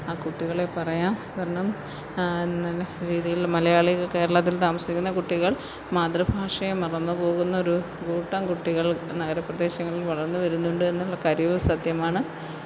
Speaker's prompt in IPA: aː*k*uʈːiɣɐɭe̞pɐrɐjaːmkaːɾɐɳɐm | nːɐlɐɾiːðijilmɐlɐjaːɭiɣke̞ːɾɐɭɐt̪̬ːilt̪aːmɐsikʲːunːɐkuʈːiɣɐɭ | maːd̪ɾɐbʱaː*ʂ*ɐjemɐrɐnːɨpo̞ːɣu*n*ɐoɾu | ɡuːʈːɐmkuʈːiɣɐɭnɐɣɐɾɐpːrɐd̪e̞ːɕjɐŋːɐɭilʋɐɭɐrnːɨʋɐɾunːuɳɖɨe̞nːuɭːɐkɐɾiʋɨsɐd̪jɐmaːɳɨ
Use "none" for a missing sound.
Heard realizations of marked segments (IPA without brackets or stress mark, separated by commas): k, ʂ, nː